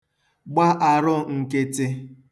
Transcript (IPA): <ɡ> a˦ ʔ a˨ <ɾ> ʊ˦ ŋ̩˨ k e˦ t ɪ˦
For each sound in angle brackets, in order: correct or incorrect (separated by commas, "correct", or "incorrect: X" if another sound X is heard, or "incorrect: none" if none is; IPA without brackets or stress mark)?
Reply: incorrect: ɡ͡b, correct